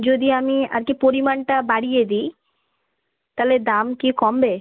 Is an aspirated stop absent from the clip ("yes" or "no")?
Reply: yes